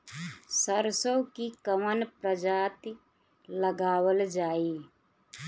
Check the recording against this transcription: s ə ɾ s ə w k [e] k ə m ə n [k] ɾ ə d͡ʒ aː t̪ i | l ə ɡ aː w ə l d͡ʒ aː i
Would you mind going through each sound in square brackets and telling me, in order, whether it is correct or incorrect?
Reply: incorrect, incorrect

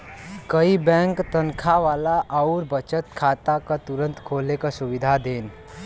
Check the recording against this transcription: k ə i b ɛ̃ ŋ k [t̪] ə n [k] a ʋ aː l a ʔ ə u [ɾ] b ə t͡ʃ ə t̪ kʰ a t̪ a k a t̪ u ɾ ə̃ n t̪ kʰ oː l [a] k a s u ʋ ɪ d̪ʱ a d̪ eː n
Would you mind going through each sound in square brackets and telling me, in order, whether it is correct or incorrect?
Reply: correct, incorrect, correct, incorrect

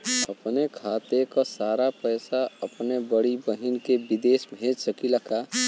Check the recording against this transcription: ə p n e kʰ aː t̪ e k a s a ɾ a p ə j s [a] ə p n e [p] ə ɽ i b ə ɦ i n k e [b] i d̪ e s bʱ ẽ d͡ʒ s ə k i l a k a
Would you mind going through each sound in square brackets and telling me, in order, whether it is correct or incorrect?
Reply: correct, incorrect, correct

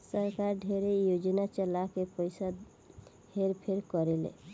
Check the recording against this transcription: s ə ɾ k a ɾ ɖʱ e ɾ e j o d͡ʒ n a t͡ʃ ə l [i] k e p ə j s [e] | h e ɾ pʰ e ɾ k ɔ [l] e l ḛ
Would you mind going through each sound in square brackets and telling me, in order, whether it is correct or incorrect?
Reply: incorrect, incorrect, incorrect

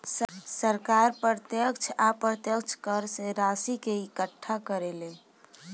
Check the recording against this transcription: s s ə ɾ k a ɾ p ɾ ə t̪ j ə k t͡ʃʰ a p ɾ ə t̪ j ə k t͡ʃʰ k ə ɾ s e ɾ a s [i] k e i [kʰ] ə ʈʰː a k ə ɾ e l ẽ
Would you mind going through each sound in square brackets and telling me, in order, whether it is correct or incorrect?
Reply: correct, incorrect

